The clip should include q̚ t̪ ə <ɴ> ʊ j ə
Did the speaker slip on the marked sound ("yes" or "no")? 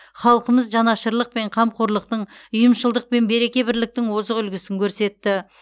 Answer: no